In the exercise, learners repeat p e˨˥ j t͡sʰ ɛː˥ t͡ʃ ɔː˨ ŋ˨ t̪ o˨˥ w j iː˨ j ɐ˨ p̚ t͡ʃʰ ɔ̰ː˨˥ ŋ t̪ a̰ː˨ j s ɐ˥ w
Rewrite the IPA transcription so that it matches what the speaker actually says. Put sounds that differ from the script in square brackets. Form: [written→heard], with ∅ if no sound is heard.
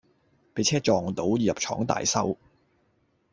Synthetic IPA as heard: p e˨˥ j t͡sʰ ɛː˥ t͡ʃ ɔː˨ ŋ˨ t̪ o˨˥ w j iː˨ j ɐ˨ p̚ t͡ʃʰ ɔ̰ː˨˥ ŋ t̪ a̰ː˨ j s ɐ˥ w